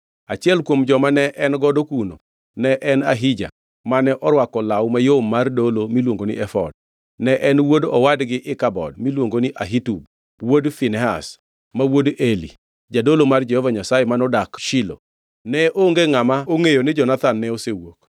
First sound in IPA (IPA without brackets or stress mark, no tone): a